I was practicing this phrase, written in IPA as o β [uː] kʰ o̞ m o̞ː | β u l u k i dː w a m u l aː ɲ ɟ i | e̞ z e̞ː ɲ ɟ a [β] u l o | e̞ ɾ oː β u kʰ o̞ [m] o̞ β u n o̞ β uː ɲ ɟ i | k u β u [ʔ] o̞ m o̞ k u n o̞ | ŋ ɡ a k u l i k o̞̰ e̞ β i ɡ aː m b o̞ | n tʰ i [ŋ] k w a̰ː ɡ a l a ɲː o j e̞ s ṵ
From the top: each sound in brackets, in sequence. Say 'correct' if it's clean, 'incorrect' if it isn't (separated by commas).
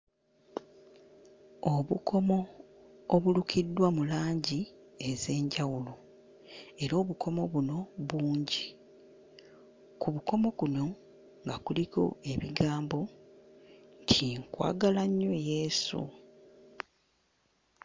incorrect, incorrect, correct, incorrect, correct